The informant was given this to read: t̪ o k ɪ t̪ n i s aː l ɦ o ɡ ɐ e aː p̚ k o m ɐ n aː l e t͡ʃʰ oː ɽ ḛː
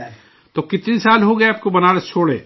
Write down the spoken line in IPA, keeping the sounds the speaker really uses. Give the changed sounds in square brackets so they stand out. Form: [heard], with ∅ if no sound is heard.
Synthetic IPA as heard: t̪ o k ɪ t̪ n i s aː l ɦ o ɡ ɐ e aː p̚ k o [b] ɐ n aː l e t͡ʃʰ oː ɽ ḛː

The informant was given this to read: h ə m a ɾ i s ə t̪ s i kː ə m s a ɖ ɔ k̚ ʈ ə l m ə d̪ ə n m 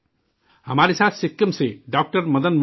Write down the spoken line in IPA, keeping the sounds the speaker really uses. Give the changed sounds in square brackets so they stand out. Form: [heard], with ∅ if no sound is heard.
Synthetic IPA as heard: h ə m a ɾ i s [a] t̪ s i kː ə m s [e] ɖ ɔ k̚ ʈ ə [ɾ] m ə d̪ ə n m

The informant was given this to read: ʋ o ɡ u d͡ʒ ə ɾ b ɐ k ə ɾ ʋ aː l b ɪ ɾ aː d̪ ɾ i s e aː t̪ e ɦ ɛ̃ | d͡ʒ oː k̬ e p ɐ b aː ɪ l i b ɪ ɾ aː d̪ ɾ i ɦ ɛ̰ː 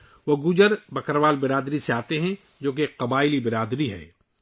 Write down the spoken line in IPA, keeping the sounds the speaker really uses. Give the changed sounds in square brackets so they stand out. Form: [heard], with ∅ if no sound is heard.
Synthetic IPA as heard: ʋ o ɡ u d͡ʒ ə ɾ b ɐ k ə ɾ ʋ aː l b ɪ ɾ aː d̪ ɾ i s e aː t̪ e ɦ ɛ̃ | d͡ʒ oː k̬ e [q] ɐ b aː ɪ l i b ɪ ɾ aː d̪ ɾ i ɦ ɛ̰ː

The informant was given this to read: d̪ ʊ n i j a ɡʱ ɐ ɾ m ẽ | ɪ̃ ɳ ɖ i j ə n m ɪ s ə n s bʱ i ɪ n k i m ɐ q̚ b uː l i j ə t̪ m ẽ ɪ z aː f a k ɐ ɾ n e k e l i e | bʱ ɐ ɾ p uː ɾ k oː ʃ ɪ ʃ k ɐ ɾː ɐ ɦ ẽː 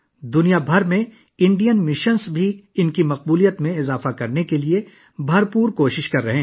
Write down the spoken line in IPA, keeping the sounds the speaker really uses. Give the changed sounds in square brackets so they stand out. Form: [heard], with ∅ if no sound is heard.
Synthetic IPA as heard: d̪ ʊ n i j a [bʱ] ɐ ɾ m ẽ | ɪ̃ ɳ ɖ i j ə n m ɪ [ʃ] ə n s bʱ i ɪ n k i m ɐ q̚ b uː l i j ə t̪ m ẽ ɪ z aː f a k ɐ ɾ n e k e l i e | bʱ ɐ ɾ p uː ɾ k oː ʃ ɪ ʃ k ɐ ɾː ɐ ɦ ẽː

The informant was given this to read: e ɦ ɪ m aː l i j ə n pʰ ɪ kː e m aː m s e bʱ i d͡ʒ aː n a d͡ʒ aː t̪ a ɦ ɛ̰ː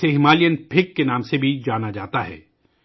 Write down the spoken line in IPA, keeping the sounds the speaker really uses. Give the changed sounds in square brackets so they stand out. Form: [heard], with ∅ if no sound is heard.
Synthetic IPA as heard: e ɦ ɪ m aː l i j ə n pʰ ɪ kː e [n] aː m s e bʱ i d͡ʒ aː n a d͡ʒ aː t̪ a ɦ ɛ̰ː

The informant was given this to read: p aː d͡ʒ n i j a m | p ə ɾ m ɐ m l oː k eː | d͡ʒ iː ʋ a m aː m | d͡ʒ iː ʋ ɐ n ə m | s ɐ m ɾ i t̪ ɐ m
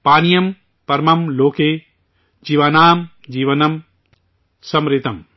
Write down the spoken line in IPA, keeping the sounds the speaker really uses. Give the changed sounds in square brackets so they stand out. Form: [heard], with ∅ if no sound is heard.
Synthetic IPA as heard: p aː [∅] n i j [ɐ] m | p [ɐ] ɾ m ɐ m l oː k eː | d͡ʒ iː ʋ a [n] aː m | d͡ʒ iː ʋ ɐ n [ɐ] m | s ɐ m ɾ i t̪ ɐ m

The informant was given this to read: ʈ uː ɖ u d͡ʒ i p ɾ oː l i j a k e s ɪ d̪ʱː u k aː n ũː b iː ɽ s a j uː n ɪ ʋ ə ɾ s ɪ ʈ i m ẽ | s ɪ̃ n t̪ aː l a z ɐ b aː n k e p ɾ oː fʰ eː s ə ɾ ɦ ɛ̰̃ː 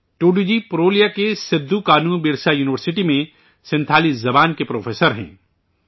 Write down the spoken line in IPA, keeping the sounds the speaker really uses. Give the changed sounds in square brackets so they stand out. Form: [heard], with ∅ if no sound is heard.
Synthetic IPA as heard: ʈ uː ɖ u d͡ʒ i p ɾ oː l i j a k e s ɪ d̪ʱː u k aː n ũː b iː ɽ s a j uː n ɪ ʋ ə ɾ s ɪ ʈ i m ẽ | s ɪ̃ n [t̪ʰ] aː l [i] z ɐ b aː n k e p ɾ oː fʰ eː s ə ɾ ɦ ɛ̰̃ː

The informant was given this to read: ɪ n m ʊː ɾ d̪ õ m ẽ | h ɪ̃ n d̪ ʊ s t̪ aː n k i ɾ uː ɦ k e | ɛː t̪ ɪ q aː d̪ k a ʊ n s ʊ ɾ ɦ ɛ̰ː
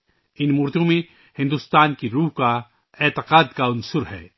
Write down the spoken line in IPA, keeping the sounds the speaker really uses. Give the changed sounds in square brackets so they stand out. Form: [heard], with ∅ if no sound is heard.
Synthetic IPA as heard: ɪ n m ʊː ɾ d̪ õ m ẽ | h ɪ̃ n d̪ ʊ s t̪ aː n k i ɾ uː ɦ k [a] | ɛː t̪ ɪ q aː d̪ k a ʊ n s ʊ ɾ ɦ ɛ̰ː

